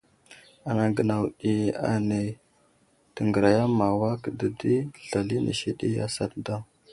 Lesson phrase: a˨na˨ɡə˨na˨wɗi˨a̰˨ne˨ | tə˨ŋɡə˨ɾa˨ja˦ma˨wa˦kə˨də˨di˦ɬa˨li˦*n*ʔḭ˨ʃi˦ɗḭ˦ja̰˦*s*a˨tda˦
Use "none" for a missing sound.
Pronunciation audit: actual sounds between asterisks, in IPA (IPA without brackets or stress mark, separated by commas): n, s